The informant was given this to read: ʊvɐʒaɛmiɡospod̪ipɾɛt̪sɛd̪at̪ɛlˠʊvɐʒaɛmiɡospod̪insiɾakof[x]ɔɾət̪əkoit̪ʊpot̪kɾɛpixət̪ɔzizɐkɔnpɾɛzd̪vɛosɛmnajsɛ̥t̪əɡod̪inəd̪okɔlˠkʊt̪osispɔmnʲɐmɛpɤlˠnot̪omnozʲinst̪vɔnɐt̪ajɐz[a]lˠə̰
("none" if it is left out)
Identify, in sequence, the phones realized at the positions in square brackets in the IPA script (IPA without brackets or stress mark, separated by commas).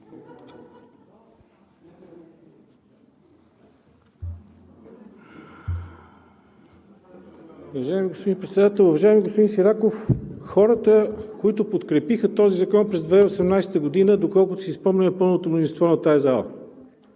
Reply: x, a